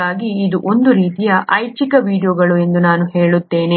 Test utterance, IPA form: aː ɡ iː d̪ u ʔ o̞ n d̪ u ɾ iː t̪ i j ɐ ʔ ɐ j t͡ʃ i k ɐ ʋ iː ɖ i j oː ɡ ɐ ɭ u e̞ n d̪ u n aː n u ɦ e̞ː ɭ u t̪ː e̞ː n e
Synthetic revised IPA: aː ɡ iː d̪ u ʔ o̞ n d̪ u ɾ iː t̪ i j ɐ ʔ ɐ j t͡ʃ i k ɐ ʋ iː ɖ i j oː ɡ ɐ ɭ u e̞ n d̪ u n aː n u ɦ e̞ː ɭ u t̪ː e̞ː n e